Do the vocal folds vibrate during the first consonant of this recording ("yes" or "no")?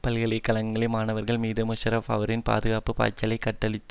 no